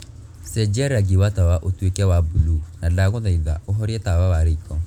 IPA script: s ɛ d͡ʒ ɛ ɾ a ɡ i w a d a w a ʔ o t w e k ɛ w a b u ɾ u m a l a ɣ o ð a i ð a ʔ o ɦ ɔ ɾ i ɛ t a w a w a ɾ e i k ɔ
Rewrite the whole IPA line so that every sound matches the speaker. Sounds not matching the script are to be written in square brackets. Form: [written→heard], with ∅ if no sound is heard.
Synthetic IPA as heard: s ɛ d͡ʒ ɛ ɾ a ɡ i w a [d→t] a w a ʔ o t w e k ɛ w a b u [ɾ→l] u [m→n] a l a ɣ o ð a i ð a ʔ o ɦ ɔ ɾ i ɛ t a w a w a ɾ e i k ɔ

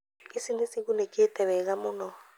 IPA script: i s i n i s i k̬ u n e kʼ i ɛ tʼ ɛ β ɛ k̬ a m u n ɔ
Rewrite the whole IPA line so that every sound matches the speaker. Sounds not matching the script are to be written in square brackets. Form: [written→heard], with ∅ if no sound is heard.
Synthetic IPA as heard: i s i n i s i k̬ u n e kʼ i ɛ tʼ ɛ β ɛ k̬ a m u n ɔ

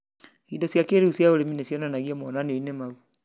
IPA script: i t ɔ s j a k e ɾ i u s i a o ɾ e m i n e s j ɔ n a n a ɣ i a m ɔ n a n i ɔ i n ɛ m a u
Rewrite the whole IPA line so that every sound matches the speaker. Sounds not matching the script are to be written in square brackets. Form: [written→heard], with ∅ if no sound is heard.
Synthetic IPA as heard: i [t→d] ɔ s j a k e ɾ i u s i a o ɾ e m i n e s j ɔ n a n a ɣ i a m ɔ n a n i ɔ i n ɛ m a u

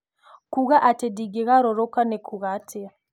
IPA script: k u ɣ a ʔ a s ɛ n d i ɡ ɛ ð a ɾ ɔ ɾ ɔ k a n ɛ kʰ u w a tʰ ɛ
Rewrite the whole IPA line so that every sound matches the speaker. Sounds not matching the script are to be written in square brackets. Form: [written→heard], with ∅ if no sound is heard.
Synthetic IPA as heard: k u ɣ a ʔ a [s→t] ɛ [n→∅] d i ɡ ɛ [ð→ɣ] a ɾ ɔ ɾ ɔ k a n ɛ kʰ u [w→ɣ] a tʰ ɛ

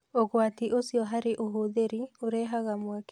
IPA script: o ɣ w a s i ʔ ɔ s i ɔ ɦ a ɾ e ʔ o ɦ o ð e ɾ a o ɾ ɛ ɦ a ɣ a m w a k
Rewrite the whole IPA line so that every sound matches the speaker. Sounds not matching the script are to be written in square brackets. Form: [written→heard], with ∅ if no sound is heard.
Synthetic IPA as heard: o ɣ w a [s→t] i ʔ [ɔ→o] s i ɔ ɦ a ɾ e ʔ o ɦ o ð e ɾ [a→i] o ɾ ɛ ɦ a ɣ a m w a k

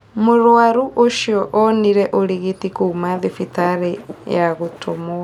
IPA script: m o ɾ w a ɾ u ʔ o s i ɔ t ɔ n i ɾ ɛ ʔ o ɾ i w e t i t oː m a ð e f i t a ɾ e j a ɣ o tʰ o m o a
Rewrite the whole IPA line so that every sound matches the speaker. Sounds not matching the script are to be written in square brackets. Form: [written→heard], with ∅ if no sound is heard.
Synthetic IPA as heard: m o ɾ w a ɾ u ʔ o [s→ʃ] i ɔ [t→ʔ] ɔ n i ɾ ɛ ʔ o ɾ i [w→ɣ] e t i [t→k] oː m a ð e f i t a ɾ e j a ɣ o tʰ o m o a

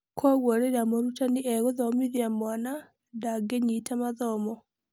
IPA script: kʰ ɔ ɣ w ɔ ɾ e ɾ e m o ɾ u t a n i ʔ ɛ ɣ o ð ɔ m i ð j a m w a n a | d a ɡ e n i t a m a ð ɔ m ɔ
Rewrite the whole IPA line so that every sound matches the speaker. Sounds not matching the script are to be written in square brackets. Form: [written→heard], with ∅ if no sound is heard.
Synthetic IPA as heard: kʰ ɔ ɣ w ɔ ɾ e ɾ [e→a] m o ɾ u t a n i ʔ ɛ ɣ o ð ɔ m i ð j a m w a n a | d a ɡ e [n→ɲ] i t a m a ð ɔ m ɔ

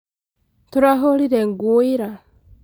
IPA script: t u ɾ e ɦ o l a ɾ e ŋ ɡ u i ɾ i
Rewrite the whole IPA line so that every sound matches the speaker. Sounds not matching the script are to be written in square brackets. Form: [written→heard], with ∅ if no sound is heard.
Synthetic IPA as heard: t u ɾ [e→a] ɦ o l [a→i] ɾ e ŋ ɡ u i ɾ [i→a]

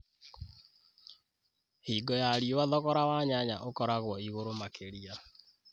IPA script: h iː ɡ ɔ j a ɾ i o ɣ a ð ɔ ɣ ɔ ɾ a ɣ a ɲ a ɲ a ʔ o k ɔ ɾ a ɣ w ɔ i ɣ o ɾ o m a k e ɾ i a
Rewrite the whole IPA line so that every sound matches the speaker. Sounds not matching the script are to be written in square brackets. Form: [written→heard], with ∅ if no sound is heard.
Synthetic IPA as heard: h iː ɡ ɔ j a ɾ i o [ɣ→w] a ð ɔ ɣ ɔ ɾ a [ɣ→w] a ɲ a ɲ a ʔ o k ɔ ɾ a ɣ w ɔ i ɣ o ɾ o m a k e ɾ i a

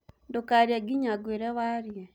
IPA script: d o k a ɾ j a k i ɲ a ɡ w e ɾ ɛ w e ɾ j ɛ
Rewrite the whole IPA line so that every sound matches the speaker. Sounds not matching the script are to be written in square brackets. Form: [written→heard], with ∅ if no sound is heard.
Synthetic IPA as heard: d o k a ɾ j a [k→ɡ] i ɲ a ɡ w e ɾ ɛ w [e→a] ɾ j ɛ

